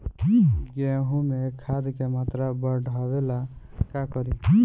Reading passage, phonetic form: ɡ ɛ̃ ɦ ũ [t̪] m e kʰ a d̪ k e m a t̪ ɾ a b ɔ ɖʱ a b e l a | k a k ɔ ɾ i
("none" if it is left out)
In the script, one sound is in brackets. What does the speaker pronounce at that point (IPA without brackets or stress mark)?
none